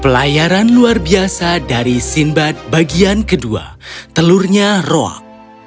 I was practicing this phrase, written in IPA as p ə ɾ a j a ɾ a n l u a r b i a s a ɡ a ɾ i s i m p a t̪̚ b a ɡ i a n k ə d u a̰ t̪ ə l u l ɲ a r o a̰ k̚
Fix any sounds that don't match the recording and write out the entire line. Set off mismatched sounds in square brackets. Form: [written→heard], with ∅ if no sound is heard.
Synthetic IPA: p ə [ɾ→l] a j a ɾ a n l u a r b i a s a [ɡ→d] a ɾ i s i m [p→b] a t̪̚ b a ɡ i a n k ə d u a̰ t̪ ə l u [l→r] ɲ a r o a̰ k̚